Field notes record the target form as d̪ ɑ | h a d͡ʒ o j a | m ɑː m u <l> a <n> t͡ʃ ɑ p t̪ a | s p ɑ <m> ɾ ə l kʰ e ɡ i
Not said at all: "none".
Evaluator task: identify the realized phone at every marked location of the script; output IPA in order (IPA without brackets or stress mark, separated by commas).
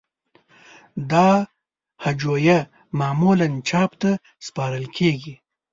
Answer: l, n, none